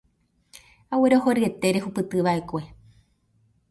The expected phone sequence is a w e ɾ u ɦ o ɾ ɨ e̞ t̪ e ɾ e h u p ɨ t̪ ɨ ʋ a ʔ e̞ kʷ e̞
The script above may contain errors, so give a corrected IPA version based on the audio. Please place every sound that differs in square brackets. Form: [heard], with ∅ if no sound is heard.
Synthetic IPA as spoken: a w e ɾ [o] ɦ o ɾ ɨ e̞ t̪ e ɾ e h u p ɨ t̪ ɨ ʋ a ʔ e̞ kʷ e̞